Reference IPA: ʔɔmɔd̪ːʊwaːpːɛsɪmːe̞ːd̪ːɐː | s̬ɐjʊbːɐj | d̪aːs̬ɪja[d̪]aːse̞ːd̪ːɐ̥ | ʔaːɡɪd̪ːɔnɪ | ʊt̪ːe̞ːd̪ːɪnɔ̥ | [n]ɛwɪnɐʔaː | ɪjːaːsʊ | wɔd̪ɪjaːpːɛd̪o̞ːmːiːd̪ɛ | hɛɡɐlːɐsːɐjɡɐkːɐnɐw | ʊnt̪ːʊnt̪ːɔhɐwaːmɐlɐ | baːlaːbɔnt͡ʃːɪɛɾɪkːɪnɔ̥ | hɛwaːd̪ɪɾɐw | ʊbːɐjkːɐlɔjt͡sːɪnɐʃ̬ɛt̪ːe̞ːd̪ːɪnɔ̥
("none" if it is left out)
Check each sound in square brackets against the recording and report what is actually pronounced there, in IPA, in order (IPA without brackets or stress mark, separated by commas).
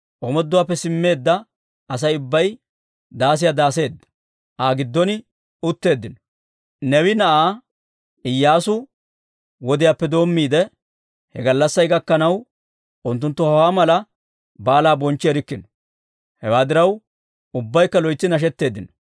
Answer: d̪, n